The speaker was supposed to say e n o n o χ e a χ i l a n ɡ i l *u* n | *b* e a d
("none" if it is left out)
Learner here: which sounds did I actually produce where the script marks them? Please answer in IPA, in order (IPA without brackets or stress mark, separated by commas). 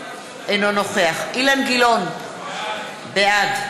o, b